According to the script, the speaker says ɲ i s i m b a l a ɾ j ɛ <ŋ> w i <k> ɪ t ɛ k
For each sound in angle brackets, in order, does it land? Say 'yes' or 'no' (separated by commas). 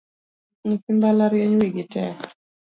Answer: no, no